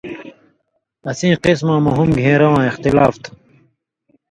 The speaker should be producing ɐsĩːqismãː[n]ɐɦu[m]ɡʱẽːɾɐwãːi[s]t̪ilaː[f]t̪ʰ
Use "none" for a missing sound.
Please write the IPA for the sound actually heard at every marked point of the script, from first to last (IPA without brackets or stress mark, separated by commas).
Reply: m, m, x, f